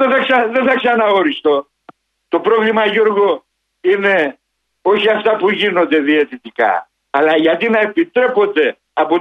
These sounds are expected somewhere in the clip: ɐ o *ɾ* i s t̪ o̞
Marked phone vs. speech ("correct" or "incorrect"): correct